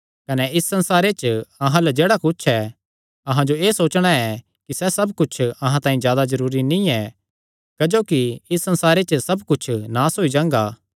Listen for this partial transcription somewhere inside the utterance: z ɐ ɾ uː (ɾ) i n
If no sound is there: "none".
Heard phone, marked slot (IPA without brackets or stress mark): ɾ